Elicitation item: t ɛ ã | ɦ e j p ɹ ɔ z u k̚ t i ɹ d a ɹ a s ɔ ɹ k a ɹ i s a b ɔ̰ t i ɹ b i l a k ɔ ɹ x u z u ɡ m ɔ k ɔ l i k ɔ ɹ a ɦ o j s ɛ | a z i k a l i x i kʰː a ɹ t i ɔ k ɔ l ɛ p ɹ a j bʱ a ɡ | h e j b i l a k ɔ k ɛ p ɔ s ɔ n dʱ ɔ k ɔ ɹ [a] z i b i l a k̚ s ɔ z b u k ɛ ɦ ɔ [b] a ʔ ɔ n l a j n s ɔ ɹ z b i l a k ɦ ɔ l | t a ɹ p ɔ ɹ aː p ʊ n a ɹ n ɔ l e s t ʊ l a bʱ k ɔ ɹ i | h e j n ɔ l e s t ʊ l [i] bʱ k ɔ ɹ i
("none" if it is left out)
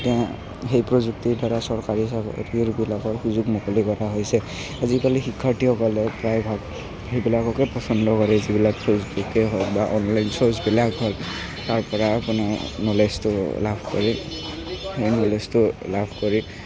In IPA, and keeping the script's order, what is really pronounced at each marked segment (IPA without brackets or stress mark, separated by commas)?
ɛ, b, a